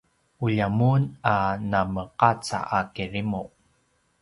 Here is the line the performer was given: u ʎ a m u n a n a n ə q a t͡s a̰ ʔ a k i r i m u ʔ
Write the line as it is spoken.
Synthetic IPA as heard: u ʎ a m u n a n a m ə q a t͡s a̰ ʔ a k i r i m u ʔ